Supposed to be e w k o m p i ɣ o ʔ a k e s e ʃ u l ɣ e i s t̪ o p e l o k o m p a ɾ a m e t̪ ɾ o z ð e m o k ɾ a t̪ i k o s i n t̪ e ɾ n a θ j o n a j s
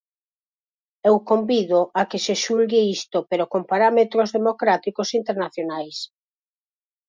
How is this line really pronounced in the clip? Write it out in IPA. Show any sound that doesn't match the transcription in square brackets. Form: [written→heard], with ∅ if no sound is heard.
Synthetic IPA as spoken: e w k o m [p→b] i [ɣ→ð] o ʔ a k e s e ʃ u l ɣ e i s t̪ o p e [l→ɾ] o k o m p a ɾ a m e t̪ ɾ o z ð e m o k ɾ a t̪ i k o s i n t̪ e ɾ n a θ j o n a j s